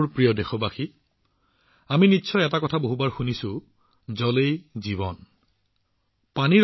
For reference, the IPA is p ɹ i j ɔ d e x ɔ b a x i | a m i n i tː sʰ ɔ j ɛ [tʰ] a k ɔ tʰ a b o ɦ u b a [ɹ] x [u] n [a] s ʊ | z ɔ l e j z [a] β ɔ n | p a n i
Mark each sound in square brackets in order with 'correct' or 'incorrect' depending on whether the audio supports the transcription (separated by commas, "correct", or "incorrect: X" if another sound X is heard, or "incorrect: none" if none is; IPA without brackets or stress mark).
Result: incorrect: t, correct, correct, incorrect: i, incorrect: i